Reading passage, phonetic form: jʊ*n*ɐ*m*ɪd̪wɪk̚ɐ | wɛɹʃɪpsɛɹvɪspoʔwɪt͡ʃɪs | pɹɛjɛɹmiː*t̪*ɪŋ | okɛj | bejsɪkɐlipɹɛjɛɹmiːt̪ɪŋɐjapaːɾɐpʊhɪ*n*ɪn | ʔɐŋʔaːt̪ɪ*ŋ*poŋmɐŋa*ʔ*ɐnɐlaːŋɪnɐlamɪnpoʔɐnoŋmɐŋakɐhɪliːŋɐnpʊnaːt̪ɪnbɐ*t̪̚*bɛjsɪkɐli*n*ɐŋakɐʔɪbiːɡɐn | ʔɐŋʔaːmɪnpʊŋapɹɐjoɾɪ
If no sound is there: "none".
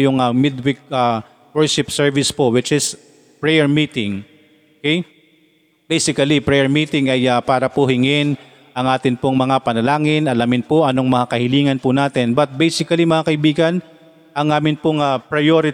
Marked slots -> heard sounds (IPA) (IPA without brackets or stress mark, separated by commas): ŋ, m, t̪, ŋ, n, p, t̪̚, m